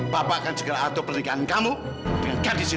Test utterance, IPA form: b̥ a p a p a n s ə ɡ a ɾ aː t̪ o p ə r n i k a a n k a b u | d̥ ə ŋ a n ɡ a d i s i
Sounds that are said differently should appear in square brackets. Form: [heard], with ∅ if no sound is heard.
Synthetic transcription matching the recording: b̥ a p a [k] a n s ə ɡ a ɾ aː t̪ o p ə r n i k a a n k a [m] u | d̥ ə ŋ a n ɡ a d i s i